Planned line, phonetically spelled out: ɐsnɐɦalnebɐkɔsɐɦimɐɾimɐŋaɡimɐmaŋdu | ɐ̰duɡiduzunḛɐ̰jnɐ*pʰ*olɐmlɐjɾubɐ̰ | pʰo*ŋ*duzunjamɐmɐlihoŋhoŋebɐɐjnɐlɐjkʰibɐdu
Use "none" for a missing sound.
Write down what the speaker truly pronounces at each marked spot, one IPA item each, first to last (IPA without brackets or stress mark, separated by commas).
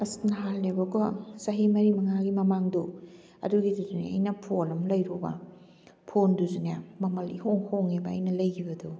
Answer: pʰ, n